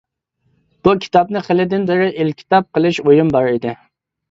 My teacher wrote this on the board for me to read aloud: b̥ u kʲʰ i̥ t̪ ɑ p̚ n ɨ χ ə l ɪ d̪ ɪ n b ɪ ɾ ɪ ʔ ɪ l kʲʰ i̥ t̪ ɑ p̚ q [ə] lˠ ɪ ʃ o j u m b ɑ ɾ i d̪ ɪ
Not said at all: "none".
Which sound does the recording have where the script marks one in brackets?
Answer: ə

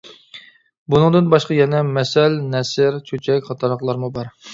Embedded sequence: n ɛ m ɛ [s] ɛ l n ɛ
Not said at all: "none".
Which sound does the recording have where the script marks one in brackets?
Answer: s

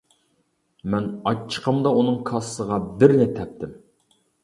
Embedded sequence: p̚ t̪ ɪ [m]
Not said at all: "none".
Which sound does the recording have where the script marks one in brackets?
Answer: m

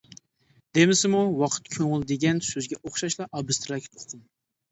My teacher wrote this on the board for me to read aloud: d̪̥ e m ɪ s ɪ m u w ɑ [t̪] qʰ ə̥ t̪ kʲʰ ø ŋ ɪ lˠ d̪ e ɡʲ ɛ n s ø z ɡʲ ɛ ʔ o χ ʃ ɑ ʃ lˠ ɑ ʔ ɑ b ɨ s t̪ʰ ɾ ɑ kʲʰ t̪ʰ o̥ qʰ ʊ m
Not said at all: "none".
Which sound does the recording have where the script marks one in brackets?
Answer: none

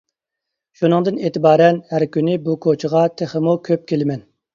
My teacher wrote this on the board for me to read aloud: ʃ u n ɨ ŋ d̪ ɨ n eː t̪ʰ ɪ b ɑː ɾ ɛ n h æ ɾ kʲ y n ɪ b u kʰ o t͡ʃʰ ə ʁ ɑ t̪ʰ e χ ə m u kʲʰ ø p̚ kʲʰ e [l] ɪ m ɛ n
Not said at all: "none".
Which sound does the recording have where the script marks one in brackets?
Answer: l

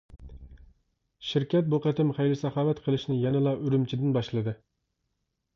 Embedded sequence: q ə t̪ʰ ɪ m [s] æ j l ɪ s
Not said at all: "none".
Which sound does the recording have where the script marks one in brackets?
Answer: χ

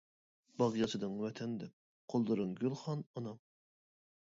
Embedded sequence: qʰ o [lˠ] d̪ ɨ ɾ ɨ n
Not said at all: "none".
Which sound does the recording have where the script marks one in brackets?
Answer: lˠ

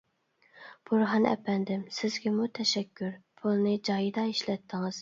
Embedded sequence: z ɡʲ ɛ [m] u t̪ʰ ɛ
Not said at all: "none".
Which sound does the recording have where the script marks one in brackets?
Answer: m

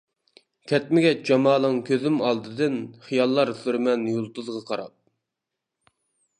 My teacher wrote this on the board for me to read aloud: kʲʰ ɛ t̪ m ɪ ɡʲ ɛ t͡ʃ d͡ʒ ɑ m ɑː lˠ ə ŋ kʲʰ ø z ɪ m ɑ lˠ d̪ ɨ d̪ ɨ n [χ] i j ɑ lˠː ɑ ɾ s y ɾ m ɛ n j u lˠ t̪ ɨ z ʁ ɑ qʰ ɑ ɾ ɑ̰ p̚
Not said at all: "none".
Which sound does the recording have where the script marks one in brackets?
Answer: χ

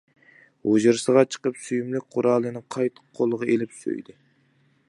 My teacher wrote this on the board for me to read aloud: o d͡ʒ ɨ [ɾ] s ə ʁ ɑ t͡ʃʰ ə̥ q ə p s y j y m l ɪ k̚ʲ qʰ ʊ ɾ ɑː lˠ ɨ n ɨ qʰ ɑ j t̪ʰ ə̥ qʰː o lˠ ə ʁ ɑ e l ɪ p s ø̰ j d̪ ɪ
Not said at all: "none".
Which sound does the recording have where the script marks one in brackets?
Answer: ɾ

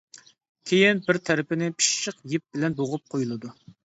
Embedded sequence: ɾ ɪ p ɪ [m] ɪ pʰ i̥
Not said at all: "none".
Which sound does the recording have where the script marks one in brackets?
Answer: n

